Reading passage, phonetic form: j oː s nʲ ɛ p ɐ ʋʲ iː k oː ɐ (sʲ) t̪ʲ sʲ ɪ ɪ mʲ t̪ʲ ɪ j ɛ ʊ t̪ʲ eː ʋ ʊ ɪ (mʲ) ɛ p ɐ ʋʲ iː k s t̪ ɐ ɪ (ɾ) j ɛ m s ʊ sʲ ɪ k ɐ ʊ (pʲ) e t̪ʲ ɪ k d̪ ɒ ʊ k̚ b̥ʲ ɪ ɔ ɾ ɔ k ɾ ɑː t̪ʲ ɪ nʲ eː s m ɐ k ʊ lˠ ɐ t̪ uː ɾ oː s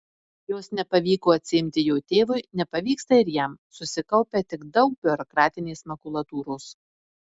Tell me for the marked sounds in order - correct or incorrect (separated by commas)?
incorrect, incorrect, correct, correct